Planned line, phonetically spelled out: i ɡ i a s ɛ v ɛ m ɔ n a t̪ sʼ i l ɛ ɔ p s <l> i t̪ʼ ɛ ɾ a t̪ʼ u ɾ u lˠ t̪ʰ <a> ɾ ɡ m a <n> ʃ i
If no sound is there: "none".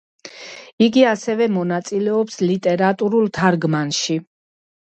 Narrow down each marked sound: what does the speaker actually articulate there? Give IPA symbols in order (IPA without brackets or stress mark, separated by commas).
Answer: l, a, n